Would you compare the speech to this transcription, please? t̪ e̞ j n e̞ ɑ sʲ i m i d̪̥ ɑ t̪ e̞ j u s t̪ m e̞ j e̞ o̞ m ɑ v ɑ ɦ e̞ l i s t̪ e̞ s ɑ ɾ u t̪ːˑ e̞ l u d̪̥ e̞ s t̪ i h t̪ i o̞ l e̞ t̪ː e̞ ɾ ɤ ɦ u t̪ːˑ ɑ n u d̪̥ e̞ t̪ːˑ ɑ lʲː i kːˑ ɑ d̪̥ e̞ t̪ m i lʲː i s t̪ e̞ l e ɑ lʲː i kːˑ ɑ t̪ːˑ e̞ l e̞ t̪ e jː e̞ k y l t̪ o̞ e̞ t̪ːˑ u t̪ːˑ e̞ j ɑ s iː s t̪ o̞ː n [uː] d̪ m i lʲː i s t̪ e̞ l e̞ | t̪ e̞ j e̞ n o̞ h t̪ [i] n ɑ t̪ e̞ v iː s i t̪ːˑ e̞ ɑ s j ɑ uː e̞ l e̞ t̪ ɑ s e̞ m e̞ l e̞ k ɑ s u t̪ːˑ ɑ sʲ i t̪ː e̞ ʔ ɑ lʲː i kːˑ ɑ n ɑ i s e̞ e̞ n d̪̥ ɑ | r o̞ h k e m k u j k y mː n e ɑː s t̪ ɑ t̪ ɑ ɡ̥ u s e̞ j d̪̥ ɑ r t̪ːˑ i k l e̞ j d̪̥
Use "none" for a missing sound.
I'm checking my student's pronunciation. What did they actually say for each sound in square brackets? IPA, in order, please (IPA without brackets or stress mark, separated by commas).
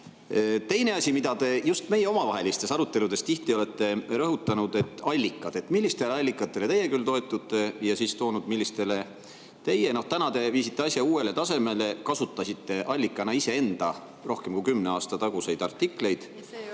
u, æ